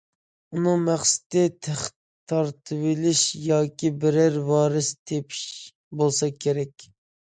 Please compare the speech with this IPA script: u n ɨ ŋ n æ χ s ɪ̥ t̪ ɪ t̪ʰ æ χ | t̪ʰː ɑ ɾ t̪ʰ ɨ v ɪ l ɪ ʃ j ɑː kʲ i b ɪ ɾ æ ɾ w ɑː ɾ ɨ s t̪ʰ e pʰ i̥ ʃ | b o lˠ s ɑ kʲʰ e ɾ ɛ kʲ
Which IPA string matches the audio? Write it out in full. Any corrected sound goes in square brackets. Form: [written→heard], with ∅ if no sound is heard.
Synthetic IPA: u n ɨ ŋ [n→m] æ χ s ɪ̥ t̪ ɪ t̪ʰ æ χ | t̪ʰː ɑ ɾ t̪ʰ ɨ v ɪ l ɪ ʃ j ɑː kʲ i b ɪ ɾ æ ɾ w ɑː ɾ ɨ s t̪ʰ e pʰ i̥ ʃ | b o lˠ s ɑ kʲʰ e ɾ ɛ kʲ

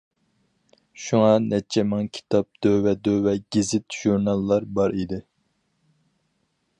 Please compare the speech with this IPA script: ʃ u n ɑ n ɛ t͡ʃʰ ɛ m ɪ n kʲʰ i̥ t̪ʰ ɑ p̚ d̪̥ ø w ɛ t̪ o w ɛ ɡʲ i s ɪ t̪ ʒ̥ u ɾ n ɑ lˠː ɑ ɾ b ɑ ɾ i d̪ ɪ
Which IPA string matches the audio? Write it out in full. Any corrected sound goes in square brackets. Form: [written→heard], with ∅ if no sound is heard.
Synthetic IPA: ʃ u [n→ŋ] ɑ n ɛ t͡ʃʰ ɛ m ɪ [n→ŋ] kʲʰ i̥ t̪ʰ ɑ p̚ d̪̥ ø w ɛ [t̪→d̪] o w ɛ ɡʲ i [s→z] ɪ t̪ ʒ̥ u ɾ n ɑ lˠː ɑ ɾ b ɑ ɾ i d̪ ɪ

